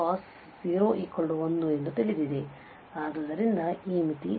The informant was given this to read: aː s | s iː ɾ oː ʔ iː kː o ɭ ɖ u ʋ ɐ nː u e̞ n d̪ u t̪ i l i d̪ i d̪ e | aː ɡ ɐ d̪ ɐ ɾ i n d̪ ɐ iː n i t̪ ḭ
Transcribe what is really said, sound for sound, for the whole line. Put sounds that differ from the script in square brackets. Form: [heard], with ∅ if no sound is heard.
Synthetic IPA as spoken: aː s | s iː ɾ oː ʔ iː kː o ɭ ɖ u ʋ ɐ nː u e̞ n d̪ u t̪ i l i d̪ i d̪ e | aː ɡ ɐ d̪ ɐ ɾ i n d̪ ɐ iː [m] i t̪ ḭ